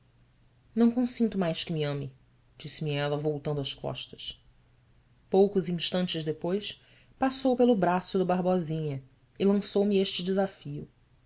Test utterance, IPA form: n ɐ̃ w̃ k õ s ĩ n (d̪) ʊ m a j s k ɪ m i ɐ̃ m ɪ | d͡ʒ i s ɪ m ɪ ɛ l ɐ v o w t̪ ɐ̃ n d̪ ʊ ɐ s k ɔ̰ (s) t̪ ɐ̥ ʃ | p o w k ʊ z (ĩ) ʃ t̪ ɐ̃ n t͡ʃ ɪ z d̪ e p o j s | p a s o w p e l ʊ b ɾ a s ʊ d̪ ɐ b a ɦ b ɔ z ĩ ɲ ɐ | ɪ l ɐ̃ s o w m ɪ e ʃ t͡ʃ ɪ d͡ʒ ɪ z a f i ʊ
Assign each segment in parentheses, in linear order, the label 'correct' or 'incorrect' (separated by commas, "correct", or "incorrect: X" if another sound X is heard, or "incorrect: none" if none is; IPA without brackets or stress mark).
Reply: incorrect: t̪, incorrect: ʃ, correct